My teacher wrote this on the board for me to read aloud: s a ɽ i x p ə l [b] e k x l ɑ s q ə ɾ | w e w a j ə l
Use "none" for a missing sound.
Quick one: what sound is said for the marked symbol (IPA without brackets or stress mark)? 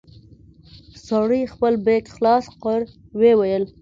b